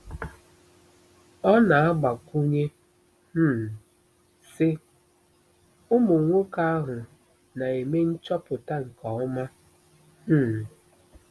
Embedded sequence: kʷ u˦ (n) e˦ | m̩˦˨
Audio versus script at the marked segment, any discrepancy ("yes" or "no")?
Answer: yes